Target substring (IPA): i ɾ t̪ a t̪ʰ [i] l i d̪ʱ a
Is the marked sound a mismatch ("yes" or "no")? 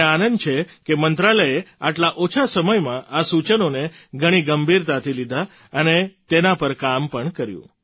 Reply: no